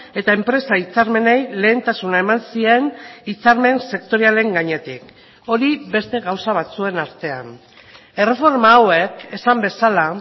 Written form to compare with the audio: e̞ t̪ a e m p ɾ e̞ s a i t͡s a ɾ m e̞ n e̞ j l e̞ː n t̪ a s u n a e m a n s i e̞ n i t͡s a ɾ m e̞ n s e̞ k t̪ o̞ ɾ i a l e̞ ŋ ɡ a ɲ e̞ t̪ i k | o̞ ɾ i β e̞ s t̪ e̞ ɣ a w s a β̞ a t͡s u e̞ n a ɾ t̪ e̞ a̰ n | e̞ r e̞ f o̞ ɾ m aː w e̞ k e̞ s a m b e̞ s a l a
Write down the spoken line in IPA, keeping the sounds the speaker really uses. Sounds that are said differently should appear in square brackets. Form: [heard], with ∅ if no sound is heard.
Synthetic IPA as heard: e̞ t̪ a e m p ɾ e̞ s a i t͡s a ɾ m e̞ n e̞ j l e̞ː n t̪ a s u n a e m a n s i e̞ n i t͡s a ɾ m e̞ n s e̞ k t̪ o̞ ɾ i a l e̞ ŋ ɡ a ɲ e̞ t̪ i k | o̞ ɾ i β e̞ s t̪ e̞ ɣ a w s a β̞ a t͡s u e̞ n a ɾ t̪ e̞ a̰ n | e̞ r e̞ f o̞ ɾ m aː w e̞ k e̞ s a m b e̞ s a l a